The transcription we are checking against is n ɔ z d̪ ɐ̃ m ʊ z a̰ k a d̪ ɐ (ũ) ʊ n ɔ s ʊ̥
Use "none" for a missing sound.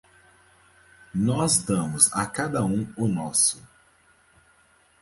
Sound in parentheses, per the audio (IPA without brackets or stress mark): ũ